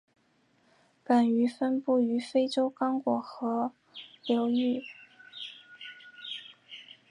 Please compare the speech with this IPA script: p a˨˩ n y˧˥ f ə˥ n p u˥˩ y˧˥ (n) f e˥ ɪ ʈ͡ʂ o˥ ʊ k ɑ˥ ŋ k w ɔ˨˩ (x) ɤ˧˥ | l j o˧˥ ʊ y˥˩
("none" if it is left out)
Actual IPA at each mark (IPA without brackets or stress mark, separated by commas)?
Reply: none, x